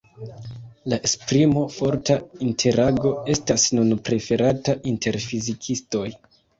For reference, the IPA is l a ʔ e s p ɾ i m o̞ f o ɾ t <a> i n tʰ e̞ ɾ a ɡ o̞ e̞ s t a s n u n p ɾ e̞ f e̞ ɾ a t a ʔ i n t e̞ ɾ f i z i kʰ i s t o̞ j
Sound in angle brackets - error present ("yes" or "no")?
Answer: no